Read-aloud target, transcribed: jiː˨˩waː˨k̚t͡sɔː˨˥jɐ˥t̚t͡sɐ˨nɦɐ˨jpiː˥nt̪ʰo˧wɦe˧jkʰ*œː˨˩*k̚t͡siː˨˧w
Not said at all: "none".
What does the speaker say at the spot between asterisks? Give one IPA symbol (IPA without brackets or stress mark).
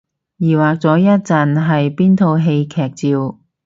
ɛː˨˩